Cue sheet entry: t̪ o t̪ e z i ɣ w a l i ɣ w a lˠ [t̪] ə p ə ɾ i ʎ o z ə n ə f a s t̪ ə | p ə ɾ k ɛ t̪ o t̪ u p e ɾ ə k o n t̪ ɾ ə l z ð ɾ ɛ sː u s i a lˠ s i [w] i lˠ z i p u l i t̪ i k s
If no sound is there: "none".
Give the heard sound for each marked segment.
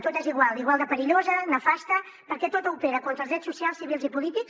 d̪, β

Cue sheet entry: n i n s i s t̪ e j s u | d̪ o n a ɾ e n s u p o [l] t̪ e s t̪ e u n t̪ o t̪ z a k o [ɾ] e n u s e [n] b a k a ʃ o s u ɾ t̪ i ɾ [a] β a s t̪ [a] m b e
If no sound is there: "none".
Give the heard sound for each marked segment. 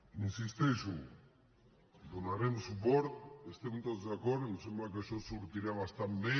ɾ, ɾ, m, a, a

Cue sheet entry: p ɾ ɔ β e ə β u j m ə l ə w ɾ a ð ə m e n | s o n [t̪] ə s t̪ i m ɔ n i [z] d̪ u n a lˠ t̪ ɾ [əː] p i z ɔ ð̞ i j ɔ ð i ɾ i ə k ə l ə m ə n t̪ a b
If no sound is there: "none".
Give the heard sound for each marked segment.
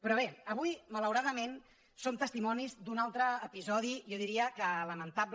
t̪, z, əː

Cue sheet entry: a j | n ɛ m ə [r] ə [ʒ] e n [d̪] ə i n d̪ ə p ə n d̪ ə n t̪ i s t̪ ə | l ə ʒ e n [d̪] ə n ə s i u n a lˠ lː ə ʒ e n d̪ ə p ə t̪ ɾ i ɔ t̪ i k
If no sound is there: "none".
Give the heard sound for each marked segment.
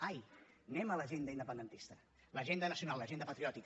l, ʒ, d̪, d̪

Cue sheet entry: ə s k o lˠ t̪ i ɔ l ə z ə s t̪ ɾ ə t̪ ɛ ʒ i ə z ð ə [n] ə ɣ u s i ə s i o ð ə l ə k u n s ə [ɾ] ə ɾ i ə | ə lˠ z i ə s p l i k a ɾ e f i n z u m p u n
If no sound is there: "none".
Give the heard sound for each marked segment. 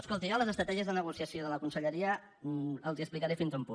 n, ʎ

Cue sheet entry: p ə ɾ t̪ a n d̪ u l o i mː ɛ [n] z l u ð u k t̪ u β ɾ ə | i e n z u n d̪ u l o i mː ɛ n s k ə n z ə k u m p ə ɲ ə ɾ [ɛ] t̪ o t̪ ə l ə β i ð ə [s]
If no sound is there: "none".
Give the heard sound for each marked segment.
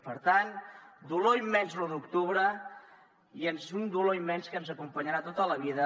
n, a, none

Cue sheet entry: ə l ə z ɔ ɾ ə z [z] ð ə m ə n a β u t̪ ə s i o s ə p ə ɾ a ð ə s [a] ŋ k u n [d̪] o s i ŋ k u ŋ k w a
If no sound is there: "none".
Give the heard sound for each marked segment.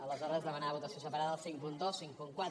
z, i, d̪

